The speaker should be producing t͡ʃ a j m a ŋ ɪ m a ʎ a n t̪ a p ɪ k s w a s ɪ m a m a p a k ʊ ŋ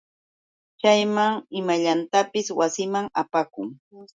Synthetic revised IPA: t͡ʃ a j m a ŋ ɪ m a ʎ a n t̪ a p ɪ s w a s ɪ m a ŋ a p a k ʊ ŋ